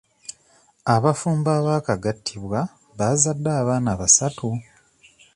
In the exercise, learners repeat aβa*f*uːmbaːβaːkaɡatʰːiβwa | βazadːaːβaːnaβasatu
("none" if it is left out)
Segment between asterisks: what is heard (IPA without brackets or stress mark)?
f